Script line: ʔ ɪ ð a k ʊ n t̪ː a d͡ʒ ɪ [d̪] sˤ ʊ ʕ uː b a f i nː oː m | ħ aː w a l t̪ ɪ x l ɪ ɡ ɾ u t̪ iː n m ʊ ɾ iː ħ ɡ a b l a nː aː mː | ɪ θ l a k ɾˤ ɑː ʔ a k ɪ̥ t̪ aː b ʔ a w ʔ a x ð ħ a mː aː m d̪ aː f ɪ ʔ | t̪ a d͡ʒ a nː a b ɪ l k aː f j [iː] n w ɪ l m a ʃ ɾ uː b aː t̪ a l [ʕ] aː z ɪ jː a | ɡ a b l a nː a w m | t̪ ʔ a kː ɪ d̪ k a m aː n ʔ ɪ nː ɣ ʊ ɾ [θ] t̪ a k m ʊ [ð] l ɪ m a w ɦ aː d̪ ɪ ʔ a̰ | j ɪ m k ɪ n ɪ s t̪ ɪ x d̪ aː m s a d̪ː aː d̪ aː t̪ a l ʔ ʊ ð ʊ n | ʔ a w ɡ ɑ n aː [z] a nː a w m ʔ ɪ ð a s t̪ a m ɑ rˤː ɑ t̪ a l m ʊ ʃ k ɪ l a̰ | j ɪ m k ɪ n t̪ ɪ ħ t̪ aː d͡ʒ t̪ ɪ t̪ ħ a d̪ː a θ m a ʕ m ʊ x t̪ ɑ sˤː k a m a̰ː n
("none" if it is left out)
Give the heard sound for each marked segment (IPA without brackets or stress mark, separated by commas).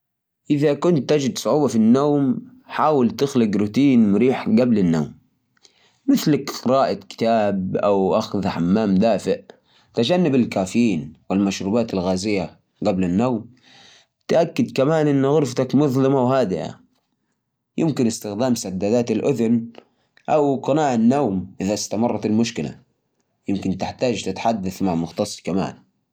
d̪, iː, ɣ, f, ð, ʕ